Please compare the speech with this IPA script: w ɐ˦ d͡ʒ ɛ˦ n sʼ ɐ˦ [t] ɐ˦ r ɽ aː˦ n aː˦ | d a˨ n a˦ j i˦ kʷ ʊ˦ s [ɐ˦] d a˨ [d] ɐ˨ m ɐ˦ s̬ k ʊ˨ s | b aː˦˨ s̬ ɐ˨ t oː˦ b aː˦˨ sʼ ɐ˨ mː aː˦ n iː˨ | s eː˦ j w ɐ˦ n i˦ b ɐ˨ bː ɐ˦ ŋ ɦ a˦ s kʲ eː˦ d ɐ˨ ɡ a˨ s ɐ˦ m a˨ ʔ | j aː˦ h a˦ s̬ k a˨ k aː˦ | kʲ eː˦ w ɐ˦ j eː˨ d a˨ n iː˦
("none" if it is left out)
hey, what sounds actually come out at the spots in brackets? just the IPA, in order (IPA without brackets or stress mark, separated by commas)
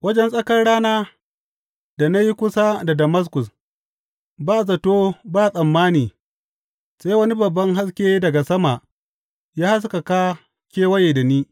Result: k, a˦, d